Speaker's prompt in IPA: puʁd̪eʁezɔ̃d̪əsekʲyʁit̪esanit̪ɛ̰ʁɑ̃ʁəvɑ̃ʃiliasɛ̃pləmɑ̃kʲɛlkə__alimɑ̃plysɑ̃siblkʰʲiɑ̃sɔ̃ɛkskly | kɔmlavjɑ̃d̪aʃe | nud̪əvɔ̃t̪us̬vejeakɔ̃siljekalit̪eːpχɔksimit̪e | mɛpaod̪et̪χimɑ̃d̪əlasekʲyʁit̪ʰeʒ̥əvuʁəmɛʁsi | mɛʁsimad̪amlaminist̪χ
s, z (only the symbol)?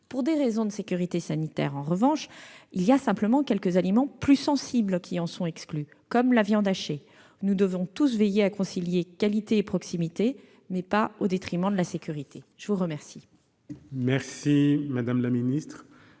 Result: z